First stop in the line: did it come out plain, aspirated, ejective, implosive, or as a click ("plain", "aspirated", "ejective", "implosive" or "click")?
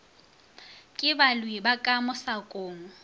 ejective